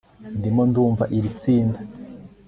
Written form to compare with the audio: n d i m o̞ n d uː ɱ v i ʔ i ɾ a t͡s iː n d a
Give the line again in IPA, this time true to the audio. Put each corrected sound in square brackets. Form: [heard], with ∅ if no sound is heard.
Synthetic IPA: n d i m o̞ n d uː ɱ v [a] ʔ i ɾ [i] t͡s iː n d a